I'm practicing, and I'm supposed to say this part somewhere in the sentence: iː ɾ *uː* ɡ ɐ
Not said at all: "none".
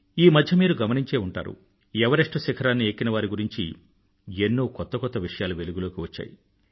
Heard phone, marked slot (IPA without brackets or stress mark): u